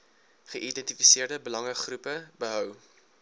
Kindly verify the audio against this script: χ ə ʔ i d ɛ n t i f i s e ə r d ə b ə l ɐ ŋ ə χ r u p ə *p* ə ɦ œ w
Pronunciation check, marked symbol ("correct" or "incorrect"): incorrect